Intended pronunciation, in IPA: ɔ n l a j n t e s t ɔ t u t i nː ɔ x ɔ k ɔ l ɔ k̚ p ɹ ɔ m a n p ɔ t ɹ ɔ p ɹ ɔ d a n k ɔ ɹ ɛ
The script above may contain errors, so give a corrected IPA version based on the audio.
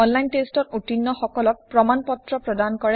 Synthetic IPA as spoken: ɔ n l a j n t e s t ɔ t u t i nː ɔ x ɔ k ɔ l ɔ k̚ p ɹ ɔ m a n p ɔ t ɹ ɔ p ɹ ɔ d a n k ɔ ɹ ɛ